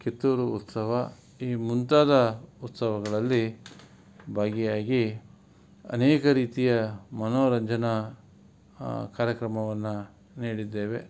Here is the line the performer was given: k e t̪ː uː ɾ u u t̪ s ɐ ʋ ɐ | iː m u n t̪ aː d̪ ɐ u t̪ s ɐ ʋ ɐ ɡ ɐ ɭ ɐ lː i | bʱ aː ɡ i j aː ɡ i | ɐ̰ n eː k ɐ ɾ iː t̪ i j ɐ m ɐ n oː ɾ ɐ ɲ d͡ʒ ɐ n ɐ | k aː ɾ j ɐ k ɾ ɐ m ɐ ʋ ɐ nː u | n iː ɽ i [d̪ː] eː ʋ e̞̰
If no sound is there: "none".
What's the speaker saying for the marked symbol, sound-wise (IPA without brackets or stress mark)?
d̪ː